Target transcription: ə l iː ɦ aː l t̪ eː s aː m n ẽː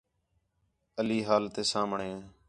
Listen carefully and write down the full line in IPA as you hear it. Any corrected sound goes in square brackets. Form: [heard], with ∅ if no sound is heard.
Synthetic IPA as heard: ə l iː ɦ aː l t̪ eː s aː m [ɳ] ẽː